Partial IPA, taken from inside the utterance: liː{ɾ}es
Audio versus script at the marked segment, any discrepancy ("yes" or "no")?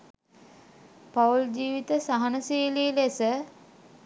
yes